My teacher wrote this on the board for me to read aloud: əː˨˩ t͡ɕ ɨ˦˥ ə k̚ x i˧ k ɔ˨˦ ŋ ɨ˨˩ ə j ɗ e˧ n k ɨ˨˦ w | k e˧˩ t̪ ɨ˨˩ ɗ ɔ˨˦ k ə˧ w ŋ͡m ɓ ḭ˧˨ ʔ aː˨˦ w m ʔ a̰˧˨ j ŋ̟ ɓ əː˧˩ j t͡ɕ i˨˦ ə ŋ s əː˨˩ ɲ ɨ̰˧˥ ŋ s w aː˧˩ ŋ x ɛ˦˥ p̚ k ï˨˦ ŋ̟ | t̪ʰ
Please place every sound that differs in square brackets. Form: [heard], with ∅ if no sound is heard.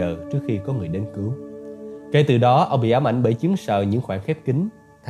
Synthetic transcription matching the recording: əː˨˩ t͡ɕ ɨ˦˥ ə k̚ x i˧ k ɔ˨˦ ŋ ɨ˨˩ ə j ɗ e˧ n k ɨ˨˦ w | k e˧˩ t̪ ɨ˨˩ ɗ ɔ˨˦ [ʔ] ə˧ w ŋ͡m ɓ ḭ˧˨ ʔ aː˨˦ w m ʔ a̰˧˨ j ŋ̟ ɓ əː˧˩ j t͡ɕ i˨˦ ə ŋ s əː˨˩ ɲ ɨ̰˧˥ ŋ [x] w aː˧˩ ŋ x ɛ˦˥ p̚ k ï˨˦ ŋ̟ | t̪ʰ